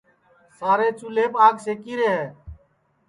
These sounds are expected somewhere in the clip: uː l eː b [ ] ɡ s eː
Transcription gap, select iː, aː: aː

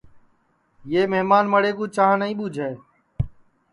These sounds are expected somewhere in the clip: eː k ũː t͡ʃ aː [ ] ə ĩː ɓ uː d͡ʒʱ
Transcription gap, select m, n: n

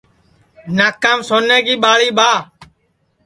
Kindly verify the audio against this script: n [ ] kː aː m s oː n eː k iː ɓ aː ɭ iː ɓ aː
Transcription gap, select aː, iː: aː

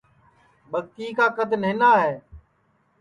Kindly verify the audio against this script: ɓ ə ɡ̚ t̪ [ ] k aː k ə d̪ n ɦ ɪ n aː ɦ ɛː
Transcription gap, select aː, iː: iː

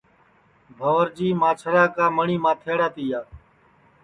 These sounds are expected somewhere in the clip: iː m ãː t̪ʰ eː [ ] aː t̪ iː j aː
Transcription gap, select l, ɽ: ɽ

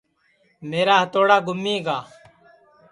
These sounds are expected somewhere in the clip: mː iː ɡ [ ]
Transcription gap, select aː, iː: aː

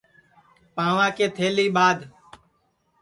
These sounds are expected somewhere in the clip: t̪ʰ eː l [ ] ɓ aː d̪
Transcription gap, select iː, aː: iː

